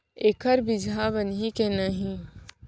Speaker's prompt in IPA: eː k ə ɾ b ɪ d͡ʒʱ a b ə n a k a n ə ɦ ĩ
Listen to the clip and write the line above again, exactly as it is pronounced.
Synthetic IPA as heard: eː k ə ɾ b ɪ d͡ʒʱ a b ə n i k e n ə ɦ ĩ